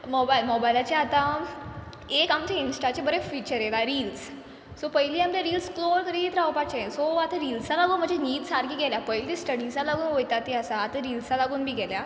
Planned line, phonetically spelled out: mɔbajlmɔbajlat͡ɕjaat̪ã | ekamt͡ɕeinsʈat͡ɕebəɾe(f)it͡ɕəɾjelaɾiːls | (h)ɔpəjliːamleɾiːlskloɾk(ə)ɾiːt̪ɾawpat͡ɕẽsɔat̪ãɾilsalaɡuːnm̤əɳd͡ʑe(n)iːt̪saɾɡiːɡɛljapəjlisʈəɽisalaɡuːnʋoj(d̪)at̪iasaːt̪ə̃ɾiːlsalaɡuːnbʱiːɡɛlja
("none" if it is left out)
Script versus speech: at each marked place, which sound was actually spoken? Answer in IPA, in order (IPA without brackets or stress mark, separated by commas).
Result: f, s, ə, n, t̪